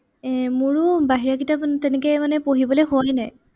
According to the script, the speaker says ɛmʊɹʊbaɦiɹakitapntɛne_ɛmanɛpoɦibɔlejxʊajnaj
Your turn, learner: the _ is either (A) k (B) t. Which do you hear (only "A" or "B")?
A